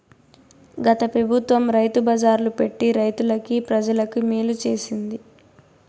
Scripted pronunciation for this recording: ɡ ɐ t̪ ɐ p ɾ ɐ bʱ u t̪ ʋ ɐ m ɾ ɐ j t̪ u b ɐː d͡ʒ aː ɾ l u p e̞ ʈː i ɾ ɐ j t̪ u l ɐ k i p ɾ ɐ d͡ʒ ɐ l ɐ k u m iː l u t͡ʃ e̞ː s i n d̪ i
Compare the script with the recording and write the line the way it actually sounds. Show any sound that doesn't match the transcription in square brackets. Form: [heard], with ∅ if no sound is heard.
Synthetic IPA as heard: ɡ ɐ t̪ ɐ p ɾ ɐ bʱ u t̪ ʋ ɐ m ɾ ɐ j t̪ u b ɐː d͡ʒ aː ɾ l u p e̞ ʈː i ɾ ɐ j t̪ u l ɐ k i p ɾ ɐ d͡ʒ ɐ l ɐ k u m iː l u t͡ʃ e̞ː s i n d̪ i